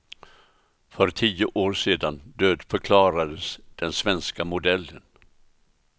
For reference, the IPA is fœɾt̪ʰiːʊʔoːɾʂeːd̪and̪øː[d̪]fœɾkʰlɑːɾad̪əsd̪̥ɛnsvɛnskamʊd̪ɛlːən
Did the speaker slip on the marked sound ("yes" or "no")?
no